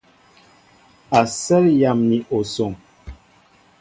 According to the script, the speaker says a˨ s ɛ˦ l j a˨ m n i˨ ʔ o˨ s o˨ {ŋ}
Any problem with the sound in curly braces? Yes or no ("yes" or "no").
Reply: no